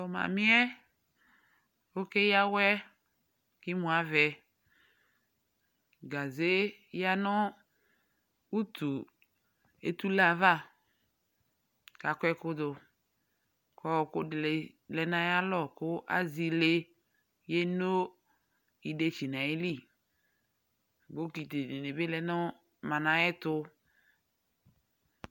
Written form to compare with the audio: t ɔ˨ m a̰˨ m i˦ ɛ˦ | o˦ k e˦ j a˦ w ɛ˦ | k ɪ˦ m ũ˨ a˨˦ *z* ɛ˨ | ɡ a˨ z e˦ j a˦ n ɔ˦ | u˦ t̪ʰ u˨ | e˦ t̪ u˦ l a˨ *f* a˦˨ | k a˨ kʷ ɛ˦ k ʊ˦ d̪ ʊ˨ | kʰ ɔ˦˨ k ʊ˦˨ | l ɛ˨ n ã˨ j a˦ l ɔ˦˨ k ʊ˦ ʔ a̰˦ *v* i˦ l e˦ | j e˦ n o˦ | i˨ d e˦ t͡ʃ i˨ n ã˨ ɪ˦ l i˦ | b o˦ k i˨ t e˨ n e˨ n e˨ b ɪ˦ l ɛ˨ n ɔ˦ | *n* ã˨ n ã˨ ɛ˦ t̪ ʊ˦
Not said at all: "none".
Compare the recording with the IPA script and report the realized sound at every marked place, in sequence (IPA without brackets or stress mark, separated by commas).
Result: v, v, z, m